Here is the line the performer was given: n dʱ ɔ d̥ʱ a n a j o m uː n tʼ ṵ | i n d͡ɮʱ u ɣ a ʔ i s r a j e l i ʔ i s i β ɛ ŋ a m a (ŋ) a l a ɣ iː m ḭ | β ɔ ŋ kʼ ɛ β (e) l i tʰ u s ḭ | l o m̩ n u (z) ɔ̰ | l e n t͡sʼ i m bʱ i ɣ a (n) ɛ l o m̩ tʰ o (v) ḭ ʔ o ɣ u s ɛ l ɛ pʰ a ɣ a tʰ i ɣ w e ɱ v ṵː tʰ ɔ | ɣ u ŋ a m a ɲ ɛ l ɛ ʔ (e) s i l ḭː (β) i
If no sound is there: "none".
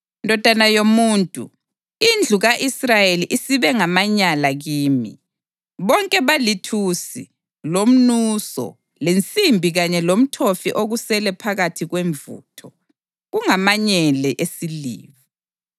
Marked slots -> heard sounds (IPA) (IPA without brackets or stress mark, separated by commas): ɲ, a, s, ɲ, f, e, β